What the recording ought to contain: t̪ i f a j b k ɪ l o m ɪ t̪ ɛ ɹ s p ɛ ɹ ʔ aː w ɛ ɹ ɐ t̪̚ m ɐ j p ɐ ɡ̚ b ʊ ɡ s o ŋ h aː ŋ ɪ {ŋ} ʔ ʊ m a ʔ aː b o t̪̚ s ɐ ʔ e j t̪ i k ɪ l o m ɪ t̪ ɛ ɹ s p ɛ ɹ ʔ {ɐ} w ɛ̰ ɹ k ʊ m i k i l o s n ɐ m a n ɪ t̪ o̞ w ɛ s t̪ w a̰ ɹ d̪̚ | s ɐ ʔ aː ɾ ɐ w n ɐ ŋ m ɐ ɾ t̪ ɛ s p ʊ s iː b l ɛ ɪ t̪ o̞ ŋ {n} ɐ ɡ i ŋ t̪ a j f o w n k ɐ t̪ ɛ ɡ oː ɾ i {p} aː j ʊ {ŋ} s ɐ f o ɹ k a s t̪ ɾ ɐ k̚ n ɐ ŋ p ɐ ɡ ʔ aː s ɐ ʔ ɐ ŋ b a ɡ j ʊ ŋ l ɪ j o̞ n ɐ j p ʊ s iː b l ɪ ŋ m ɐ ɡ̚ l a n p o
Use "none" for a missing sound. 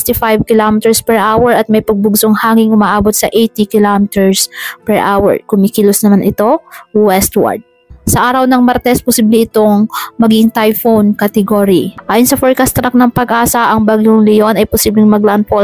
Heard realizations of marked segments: ŋ, a, m, ʔ, n

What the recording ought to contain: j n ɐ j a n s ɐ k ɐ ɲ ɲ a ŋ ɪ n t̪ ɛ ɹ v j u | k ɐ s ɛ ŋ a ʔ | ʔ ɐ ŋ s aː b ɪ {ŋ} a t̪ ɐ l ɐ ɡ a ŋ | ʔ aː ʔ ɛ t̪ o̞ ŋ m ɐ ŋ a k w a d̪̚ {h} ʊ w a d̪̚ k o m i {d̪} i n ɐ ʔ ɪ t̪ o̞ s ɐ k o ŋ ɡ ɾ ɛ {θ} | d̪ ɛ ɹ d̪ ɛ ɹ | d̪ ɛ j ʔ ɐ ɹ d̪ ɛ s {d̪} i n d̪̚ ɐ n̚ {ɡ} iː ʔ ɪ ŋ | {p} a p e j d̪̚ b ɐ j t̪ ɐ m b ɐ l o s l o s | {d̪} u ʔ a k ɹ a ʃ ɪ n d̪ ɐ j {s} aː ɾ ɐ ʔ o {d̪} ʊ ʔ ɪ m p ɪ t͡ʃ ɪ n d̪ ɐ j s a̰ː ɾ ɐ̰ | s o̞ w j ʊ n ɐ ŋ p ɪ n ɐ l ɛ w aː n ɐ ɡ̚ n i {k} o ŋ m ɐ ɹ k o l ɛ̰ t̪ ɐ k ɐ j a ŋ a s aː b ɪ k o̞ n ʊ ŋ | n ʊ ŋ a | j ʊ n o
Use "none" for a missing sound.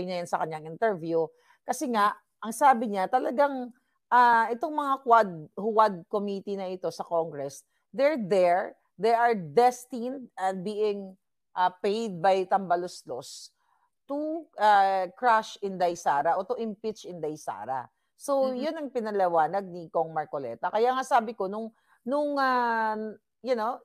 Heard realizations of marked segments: ɲ, h, t̪, s, t̪, b, ʔ, t̪, s, t̪, k

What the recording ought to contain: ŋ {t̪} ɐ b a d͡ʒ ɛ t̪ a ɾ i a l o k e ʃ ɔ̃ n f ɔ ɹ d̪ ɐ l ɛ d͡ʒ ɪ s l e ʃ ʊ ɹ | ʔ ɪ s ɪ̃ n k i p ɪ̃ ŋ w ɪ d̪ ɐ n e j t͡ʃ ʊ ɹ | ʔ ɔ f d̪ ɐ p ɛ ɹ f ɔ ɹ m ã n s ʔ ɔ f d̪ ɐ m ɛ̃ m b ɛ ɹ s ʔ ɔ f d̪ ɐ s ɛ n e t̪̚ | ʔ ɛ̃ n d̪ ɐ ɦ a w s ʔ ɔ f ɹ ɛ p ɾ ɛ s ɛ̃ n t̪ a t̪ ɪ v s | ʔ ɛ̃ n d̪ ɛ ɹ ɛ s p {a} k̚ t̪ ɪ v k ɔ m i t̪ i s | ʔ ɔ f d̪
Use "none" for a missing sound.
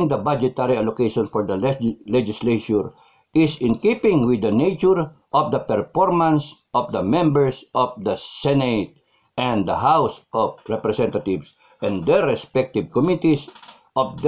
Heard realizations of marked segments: d̪, ɛ

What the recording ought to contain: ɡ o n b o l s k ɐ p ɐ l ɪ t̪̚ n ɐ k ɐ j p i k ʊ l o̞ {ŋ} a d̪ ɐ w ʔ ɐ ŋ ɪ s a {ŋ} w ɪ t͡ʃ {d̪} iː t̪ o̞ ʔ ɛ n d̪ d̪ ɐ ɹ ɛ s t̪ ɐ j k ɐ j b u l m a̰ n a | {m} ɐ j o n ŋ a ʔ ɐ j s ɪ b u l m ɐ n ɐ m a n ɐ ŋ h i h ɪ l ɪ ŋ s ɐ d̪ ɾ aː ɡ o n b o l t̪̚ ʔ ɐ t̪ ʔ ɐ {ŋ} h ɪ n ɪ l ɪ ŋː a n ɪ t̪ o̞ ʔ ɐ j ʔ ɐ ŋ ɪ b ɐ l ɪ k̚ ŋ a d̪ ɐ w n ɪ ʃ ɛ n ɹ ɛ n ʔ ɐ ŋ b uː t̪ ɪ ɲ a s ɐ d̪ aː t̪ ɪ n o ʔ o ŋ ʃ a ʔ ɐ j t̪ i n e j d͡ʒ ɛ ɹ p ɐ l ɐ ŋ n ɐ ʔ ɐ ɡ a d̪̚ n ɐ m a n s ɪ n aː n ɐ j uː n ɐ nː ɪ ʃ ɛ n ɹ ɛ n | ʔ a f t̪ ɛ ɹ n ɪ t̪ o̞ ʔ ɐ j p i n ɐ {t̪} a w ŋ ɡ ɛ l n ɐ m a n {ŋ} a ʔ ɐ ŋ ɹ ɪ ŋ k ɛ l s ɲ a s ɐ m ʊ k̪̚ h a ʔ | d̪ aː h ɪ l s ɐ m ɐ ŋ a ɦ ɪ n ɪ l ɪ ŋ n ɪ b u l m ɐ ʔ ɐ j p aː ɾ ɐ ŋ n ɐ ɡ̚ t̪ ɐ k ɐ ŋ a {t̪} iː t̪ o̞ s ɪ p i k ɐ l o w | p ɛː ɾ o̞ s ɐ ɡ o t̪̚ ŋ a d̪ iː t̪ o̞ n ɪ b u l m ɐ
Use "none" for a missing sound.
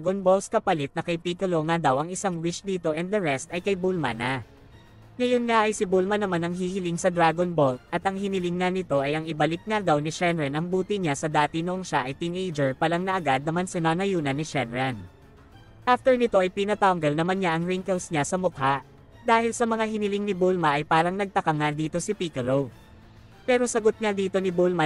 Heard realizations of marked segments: ŋ, ŋ, d̪, ŋ, ŋ, t̪, ɲ, d̪

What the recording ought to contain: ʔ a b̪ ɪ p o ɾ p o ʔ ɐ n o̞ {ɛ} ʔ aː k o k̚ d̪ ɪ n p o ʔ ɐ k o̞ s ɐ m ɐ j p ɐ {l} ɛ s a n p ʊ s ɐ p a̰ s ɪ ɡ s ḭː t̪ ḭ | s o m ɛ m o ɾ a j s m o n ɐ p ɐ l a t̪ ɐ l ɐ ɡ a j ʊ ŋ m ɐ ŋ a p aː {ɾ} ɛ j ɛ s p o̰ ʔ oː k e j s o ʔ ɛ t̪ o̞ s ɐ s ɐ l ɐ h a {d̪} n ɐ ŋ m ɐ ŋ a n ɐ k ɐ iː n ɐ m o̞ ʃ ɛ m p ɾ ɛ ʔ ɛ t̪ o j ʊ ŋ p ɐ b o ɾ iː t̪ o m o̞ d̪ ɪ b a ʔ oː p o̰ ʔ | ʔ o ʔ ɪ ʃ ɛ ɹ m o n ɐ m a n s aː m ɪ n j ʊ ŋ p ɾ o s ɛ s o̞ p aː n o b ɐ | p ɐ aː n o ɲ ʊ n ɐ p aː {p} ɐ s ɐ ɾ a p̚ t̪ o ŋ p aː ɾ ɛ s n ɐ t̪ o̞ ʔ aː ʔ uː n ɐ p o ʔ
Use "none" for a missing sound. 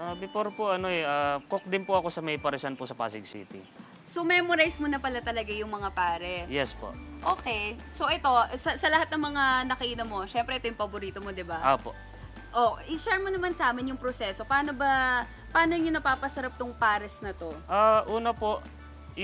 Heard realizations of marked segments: ɛ, ɾ, ɾ, t̪, p

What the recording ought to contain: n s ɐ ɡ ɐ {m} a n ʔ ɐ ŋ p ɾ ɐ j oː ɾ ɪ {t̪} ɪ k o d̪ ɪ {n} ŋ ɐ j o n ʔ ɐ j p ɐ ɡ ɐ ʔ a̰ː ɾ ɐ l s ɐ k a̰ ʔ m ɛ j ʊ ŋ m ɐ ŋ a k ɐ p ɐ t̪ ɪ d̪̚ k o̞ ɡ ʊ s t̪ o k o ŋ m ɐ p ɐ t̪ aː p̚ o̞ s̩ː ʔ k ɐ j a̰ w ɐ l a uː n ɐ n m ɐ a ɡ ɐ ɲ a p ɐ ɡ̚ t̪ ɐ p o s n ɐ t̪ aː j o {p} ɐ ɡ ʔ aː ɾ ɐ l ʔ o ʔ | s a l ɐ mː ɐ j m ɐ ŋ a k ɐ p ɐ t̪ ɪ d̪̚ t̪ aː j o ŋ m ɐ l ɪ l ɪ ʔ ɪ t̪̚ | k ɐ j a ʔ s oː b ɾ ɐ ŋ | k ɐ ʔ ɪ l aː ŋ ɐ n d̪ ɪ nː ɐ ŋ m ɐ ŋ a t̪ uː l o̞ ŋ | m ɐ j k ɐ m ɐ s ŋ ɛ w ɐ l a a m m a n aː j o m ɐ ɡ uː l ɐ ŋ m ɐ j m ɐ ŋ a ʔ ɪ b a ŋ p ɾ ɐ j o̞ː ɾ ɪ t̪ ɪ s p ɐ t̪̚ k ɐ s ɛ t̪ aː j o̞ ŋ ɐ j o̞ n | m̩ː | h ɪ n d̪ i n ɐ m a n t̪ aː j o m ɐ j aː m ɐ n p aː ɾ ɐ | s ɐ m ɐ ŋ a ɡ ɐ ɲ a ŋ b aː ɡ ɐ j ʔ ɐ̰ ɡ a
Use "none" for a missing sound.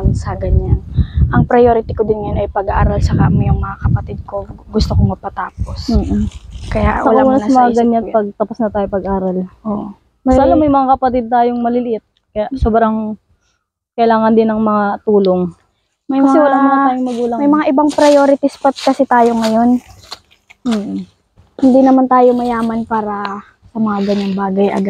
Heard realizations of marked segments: ɲ, t̪, n, p

